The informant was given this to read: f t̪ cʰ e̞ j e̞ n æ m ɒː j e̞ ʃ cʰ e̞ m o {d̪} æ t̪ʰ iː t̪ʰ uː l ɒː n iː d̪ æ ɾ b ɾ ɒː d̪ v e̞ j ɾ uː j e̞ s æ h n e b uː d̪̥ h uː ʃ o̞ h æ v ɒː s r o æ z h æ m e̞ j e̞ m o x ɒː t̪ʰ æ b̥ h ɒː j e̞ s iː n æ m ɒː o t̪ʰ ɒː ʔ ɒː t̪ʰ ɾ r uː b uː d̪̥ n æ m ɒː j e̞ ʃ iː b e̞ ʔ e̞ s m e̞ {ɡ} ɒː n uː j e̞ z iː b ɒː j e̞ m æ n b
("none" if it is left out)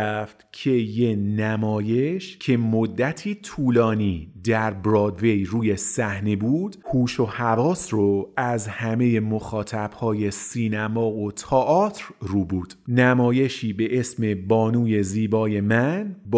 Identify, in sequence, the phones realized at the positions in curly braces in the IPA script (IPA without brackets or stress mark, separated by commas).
d̪ː, b